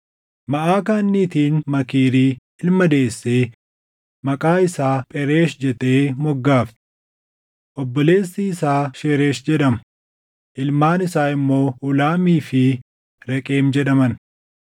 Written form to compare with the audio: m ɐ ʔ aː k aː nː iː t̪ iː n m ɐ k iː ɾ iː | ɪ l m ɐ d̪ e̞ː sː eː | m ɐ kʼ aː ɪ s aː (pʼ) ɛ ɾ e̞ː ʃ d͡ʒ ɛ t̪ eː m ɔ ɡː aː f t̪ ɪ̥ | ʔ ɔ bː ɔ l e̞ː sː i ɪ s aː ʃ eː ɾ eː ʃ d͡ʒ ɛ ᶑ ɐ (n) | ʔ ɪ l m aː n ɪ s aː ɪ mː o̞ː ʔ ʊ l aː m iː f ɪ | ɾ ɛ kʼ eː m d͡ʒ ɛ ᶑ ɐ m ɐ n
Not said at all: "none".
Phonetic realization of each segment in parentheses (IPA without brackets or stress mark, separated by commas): pʼ, m